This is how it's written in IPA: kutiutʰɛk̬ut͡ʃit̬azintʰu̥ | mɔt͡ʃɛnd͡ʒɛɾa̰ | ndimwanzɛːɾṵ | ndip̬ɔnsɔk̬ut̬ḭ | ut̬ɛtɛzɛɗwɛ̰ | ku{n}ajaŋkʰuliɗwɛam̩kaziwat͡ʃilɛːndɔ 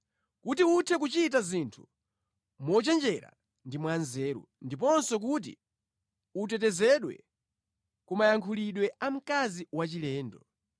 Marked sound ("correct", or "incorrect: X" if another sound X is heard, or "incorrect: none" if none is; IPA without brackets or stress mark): incorrect: m